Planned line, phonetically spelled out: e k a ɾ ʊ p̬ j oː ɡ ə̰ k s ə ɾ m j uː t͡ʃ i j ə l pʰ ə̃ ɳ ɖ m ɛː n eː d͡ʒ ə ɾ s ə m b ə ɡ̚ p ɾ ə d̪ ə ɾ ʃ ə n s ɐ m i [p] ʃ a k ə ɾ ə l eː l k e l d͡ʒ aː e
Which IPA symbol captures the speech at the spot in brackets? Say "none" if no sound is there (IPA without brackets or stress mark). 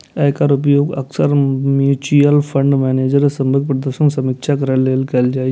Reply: k